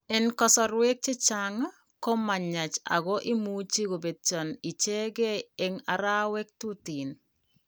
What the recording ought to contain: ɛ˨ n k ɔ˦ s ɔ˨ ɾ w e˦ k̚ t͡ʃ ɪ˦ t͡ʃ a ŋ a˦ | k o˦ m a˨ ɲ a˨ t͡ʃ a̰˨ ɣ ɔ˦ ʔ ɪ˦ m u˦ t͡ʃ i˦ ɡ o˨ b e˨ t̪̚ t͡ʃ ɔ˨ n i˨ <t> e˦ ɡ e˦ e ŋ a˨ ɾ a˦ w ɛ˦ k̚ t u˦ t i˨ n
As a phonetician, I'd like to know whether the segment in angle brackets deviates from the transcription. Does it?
yes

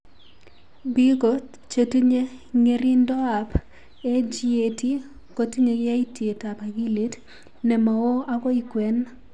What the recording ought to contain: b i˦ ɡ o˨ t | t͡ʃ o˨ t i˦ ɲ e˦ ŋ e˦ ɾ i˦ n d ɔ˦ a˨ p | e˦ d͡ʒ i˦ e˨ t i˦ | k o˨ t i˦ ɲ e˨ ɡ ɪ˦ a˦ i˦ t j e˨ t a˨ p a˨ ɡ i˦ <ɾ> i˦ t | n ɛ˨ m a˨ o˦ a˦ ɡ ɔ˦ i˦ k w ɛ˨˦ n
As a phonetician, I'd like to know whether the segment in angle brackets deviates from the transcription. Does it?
yes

